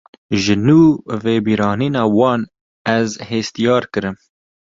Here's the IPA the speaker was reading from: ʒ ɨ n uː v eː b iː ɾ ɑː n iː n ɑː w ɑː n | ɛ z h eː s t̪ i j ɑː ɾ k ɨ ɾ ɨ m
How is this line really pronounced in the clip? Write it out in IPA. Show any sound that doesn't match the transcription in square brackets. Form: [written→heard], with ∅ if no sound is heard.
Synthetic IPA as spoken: ʒ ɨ n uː v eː b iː ɾ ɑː n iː n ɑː w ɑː n | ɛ z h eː s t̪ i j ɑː ɾ k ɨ ɾ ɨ m